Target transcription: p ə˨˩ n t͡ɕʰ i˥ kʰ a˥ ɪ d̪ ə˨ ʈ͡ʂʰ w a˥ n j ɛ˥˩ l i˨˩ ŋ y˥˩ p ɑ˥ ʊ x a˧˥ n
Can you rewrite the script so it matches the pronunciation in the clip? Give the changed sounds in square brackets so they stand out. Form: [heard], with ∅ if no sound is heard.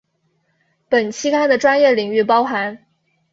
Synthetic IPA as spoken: p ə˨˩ n t͡ɕʰ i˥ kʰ a˥ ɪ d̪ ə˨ [ʈ͡ʂ] w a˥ n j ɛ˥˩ l i˨˩ ŋ y˥˩ p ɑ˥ ʊ x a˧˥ n